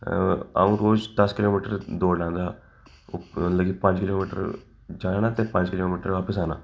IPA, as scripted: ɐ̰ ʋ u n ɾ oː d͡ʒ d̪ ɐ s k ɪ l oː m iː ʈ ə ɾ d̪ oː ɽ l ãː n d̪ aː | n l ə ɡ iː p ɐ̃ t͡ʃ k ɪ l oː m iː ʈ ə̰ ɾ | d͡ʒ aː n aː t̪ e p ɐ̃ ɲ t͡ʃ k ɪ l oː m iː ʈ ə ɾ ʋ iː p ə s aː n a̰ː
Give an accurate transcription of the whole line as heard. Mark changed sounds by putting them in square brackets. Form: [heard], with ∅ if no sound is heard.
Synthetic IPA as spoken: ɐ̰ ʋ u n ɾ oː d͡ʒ d̪ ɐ s k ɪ l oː m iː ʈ ə ɾ d̪ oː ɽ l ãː n d̪ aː | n l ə ɡ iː p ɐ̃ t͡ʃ k ɪ l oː m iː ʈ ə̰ ɾ | d͡ʒ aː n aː t̪ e p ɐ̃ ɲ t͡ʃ k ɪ l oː m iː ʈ ə ɾ ʋ [aː] p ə s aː n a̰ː